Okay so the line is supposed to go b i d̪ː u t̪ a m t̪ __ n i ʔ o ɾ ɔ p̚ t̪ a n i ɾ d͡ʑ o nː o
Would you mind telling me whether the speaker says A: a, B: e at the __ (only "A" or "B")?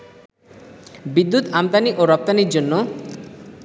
A